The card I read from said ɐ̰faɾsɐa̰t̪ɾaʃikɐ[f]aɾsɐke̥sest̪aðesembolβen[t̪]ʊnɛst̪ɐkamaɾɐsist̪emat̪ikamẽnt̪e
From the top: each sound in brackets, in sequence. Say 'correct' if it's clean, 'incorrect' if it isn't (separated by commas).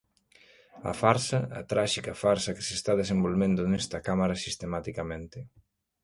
correct, incorrect